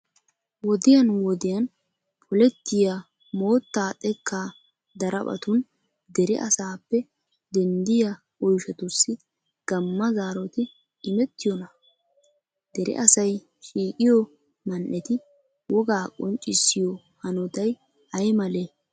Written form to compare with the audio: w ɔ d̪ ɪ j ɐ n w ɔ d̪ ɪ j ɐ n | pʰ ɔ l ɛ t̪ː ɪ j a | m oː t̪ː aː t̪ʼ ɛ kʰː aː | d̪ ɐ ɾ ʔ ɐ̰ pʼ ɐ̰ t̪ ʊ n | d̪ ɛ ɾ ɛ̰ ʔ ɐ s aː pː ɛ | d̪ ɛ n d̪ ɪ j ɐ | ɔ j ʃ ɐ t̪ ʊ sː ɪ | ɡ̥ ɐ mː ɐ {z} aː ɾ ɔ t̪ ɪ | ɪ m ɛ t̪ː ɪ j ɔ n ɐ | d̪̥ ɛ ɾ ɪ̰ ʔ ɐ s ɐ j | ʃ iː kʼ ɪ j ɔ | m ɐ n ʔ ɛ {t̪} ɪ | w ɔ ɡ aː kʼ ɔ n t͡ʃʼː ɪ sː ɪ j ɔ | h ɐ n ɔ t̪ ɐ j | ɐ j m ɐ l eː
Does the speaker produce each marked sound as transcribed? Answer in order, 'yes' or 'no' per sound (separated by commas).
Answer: yes, yes